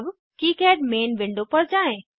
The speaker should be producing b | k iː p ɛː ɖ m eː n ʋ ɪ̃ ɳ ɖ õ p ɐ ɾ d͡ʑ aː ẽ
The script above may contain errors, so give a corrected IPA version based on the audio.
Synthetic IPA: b | k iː k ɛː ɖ m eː n ʋ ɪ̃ ɳ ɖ o p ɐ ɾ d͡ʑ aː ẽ